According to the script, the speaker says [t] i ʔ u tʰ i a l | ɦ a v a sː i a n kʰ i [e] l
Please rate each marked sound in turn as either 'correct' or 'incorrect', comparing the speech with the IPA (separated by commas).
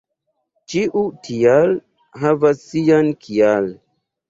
incorrect, incorrect